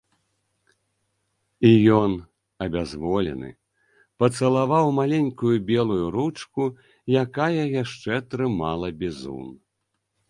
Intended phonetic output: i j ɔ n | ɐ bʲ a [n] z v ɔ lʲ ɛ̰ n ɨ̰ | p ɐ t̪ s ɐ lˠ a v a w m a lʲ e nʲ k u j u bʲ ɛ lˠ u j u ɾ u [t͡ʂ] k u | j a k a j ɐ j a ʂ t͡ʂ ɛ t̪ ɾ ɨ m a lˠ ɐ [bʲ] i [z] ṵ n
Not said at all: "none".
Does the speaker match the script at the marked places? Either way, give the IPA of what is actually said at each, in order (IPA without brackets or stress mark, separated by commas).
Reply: none, t͡ʂ, bʲ, z